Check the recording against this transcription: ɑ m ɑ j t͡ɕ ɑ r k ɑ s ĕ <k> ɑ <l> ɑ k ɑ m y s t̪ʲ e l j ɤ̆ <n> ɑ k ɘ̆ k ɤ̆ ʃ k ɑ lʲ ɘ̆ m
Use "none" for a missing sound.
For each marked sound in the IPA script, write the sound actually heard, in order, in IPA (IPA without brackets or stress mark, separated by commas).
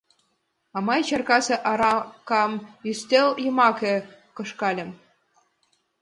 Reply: ʔ, ɾ, m